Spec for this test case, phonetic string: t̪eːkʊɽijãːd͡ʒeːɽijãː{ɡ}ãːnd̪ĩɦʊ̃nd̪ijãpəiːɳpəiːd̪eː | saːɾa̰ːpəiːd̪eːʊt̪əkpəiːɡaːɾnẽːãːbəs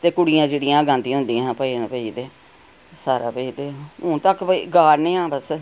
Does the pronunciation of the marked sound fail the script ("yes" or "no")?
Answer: no